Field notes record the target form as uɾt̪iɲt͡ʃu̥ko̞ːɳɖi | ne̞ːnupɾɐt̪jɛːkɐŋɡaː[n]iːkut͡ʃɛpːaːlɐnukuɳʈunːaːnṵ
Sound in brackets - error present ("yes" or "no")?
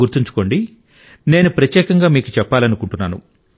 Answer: yes